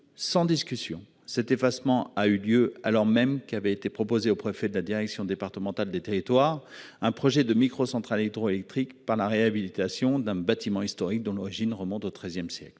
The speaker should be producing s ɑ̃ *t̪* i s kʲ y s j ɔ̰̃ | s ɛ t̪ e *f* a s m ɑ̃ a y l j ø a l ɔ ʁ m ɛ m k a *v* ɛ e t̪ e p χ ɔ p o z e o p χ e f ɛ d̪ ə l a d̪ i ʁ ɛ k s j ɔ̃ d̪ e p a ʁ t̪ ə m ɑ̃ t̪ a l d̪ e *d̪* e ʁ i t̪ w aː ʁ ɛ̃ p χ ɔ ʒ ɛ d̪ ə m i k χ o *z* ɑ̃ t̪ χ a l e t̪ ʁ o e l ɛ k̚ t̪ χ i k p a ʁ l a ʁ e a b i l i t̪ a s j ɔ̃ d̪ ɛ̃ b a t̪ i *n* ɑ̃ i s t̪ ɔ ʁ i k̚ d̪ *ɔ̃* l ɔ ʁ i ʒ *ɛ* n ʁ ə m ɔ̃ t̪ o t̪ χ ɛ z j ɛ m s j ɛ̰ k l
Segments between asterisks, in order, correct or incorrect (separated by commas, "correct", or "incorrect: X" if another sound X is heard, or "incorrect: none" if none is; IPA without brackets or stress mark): incorrect: d̪, correct, correct, incorrect: t̪, incorrect: s, incorrect: m, correct, incorrect: i